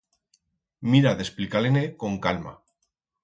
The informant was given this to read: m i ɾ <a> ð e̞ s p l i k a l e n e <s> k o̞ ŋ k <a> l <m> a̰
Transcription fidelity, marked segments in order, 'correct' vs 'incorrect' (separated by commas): correct, incorrect, correct, correct